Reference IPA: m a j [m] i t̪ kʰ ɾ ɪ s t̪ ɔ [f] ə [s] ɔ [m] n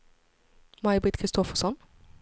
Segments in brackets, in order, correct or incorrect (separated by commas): incorrect, correct, correct, incorrect